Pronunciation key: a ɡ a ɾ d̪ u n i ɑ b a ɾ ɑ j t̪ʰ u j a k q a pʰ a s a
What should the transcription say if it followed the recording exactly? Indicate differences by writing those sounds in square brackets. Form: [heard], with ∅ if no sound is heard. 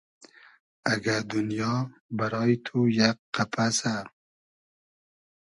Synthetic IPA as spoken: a ɡ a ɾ d̪ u n [j] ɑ b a ɾ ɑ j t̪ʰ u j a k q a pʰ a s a